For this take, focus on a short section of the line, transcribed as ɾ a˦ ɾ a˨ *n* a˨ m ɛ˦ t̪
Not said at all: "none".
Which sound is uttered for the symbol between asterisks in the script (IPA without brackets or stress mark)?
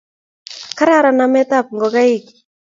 n